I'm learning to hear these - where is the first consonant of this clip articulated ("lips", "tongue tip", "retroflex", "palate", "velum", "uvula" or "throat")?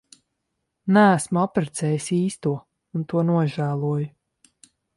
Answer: tongue tip